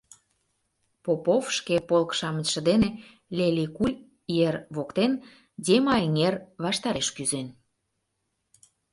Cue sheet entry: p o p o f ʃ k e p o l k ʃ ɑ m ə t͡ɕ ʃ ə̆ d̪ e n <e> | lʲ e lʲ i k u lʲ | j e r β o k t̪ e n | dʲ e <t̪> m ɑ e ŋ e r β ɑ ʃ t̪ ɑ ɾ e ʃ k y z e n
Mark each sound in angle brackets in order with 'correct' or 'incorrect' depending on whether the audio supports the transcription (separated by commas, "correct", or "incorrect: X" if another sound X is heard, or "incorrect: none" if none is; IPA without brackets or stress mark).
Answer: correct, incorrect: none